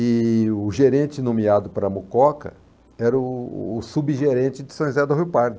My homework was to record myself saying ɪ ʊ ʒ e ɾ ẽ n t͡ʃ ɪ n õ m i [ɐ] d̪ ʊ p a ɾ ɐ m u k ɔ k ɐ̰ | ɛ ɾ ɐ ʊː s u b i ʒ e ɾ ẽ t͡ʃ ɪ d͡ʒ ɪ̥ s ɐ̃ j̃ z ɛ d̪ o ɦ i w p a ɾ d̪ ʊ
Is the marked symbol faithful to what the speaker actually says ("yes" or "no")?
no